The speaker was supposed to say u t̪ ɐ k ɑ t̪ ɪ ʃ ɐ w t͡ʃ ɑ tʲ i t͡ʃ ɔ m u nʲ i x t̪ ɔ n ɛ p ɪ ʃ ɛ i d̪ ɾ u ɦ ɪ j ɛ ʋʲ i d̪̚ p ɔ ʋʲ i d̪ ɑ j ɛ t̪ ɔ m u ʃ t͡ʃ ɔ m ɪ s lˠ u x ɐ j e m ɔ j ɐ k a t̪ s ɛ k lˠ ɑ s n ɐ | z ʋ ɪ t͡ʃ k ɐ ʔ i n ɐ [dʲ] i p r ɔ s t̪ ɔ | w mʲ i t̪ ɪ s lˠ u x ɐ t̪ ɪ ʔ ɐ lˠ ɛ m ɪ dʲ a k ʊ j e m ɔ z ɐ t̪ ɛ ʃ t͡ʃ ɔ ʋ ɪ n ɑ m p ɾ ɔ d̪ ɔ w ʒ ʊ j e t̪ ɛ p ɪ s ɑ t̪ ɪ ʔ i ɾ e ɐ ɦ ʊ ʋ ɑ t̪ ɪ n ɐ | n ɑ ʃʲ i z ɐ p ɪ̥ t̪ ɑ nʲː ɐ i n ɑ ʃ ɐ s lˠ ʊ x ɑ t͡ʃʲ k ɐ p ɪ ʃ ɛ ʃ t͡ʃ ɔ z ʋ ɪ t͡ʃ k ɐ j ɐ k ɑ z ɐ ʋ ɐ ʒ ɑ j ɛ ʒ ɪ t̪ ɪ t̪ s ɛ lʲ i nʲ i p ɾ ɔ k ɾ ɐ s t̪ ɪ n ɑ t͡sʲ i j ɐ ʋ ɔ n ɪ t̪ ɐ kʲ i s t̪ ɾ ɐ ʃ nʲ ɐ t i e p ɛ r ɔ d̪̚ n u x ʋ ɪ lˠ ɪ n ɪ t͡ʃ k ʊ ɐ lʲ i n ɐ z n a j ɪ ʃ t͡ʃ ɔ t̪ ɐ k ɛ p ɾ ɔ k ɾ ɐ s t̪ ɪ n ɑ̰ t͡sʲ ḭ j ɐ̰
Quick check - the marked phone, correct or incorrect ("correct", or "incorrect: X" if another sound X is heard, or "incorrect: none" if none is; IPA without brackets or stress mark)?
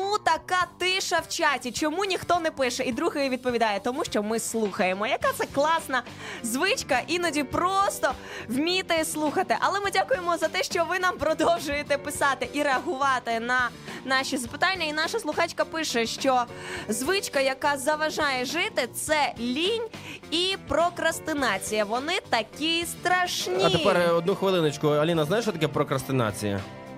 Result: correct